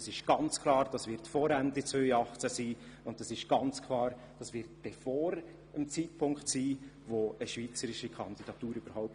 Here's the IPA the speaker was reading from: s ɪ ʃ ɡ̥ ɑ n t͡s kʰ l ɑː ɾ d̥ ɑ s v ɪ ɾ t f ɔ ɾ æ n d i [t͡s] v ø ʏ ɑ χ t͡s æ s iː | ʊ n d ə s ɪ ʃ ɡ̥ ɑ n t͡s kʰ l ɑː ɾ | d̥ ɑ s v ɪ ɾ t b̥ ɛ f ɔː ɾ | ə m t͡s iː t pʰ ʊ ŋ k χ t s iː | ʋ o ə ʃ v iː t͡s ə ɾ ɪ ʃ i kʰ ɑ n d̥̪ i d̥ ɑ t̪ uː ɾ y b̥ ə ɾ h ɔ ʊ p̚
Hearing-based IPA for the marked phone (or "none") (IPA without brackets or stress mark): t͡s